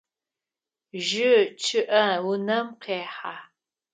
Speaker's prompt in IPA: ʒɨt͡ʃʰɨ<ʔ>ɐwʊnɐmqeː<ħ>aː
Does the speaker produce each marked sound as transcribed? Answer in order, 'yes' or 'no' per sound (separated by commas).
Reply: yes, yes